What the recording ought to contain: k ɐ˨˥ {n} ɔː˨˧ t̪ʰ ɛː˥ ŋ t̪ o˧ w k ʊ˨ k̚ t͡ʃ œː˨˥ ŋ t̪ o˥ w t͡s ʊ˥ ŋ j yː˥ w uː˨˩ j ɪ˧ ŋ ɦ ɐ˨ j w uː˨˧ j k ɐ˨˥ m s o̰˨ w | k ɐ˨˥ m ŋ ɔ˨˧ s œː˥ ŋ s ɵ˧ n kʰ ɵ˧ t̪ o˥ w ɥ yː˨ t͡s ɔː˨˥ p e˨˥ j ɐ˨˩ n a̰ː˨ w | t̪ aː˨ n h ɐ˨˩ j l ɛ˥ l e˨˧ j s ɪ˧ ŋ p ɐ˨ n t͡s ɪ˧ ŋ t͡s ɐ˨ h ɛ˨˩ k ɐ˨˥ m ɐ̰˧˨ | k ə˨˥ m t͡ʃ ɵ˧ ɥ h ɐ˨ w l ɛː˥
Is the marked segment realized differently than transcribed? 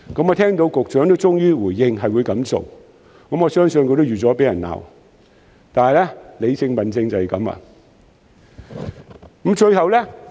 yes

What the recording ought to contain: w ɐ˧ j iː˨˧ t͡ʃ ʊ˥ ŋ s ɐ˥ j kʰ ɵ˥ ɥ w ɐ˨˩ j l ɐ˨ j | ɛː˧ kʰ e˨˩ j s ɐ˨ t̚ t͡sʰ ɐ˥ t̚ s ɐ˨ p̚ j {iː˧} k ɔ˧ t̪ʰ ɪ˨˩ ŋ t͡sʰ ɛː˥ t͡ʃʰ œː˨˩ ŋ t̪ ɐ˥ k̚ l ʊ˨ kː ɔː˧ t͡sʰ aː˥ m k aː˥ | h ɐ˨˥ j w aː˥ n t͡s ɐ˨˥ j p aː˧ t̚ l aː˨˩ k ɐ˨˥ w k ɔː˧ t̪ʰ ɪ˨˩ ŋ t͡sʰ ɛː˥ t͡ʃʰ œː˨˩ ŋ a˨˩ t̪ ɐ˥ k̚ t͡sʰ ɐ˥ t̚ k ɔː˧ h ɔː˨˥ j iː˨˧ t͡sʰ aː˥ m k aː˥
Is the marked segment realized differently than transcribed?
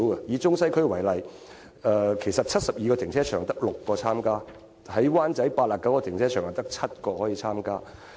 no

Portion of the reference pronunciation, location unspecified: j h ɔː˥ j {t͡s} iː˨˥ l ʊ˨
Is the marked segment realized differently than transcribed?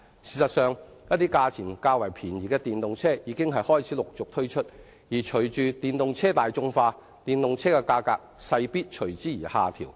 yes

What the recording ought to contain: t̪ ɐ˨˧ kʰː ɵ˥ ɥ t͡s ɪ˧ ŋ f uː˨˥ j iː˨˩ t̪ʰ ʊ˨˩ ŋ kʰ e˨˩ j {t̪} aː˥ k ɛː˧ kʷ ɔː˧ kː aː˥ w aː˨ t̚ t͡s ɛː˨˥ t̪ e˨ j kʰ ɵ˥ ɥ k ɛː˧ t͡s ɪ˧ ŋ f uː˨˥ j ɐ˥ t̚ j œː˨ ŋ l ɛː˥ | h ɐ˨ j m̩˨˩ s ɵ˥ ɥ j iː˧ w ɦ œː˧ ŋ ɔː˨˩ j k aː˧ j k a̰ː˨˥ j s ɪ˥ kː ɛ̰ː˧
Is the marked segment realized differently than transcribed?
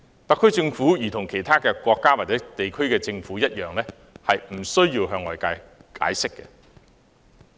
yes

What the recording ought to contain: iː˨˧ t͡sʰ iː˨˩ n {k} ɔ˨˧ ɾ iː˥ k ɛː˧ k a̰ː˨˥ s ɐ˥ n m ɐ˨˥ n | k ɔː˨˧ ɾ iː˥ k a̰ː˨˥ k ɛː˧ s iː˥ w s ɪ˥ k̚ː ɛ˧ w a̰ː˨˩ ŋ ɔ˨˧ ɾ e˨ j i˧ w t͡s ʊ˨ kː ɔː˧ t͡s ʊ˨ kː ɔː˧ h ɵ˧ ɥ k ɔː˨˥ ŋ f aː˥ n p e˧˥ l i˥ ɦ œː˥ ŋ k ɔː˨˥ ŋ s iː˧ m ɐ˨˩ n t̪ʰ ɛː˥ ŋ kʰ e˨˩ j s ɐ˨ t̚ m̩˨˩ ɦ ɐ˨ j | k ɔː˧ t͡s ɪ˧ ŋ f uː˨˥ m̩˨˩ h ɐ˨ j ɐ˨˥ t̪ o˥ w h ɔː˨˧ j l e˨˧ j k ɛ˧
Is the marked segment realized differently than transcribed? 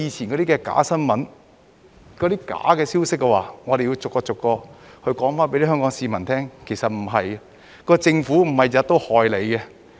no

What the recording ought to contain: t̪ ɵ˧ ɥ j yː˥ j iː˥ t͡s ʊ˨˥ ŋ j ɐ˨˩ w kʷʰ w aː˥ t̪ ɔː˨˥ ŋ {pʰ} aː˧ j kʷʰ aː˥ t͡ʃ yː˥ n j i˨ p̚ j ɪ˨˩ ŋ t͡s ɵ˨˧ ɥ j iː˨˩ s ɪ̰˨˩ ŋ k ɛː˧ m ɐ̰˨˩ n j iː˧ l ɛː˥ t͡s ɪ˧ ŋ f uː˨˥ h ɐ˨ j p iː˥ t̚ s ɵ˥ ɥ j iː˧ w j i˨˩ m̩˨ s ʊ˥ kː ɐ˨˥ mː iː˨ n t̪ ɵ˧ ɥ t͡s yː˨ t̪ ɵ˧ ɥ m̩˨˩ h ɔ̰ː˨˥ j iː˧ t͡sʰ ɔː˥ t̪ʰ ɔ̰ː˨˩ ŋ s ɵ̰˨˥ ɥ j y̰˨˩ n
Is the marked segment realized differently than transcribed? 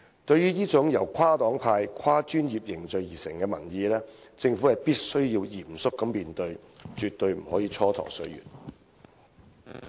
no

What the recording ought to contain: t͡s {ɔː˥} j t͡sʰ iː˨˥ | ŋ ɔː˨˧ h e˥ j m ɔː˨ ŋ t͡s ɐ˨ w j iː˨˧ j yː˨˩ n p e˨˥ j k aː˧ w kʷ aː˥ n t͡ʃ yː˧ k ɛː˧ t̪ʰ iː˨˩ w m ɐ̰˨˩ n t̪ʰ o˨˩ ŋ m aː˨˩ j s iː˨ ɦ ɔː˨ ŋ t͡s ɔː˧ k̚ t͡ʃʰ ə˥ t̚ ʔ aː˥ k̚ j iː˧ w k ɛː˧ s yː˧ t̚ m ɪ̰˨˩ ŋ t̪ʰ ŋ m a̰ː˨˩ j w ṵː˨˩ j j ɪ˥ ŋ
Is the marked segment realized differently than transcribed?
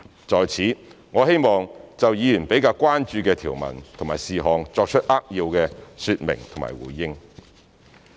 yes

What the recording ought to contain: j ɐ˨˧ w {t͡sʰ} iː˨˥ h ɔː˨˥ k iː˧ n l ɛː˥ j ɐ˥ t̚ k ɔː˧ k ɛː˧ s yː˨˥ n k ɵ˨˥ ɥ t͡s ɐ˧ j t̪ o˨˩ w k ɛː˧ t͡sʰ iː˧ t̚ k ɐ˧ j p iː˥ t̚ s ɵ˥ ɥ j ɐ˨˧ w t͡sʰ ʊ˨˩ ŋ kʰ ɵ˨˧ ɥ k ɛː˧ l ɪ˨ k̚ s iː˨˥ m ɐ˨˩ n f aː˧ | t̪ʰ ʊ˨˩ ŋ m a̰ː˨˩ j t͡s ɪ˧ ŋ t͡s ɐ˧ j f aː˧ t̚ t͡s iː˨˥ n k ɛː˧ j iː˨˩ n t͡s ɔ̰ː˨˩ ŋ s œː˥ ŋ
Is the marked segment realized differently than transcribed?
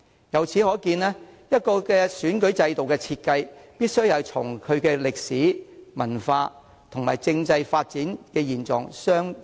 no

